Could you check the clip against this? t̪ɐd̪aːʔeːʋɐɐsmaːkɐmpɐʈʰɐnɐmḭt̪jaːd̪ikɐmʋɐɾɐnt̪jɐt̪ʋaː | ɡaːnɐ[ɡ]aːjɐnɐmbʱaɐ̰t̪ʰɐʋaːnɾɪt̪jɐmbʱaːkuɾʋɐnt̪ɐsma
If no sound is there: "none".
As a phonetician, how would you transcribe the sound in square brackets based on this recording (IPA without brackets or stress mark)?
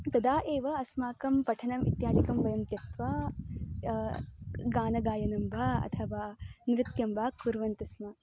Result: ɡ